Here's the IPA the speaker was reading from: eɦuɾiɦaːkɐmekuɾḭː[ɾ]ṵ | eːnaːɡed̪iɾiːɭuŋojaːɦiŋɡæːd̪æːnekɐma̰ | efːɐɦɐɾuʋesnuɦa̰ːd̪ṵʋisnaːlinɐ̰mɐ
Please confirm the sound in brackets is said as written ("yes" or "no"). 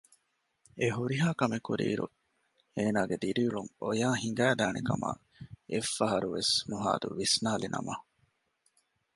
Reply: yes